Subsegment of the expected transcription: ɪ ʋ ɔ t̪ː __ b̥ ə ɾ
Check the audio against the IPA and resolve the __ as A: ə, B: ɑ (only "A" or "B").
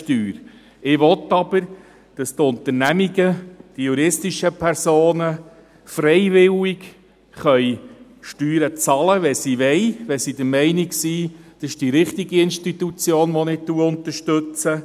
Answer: B